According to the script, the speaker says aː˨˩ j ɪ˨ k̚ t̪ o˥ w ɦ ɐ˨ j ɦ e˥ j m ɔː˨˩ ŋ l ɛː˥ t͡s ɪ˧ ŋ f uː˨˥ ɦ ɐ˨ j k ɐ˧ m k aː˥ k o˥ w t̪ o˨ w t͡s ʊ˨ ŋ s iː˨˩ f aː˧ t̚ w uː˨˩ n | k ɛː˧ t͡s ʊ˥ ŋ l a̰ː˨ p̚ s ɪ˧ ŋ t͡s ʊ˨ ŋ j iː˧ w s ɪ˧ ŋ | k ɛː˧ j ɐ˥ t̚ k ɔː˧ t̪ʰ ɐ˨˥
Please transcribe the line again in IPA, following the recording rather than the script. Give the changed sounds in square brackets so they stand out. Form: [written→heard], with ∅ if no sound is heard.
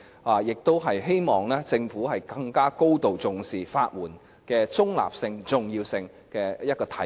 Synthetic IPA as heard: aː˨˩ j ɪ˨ k̚ t̪ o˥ w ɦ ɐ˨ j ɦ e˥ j m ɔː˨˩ ŋ l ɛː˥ t͡s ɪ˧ ŋ f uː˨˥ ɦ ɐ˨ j k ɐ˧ [m→ŋ] k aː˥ k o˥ w t̪ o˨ w t͡s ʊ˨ ŋ s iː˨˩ f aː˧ t̚ w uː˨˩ n | k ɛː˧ t͡s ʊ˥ ŋ l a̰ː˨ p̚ s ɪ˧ ŋ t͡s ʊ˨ ŋ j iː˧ w s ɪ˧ ŋ | k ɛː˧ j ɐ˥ t̚ k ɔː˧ t̪ʰ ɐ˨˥